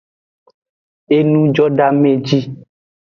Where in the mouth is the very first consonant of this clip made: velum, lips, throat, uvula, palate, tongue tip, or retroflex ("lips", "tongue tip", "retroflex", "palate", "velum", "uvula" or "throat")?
tongue tip